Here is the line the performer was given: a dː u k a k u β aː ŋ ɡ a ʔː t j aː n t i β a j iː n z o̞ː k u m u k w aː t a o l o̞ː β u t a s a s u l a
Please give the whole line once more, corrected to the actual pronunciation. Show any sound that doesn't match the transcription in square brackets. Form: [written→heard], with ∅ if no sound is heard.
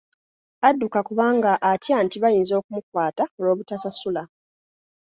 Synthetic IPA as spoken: a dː u k a k u β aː ŋ ɡ a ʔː t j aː n t i β a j iː n z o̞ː k u m u k w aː t a o l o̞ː β u t a s a s u l a